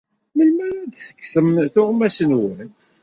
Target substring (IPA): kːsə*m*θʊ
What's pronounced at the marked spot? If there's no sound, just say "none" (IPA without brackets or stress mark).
m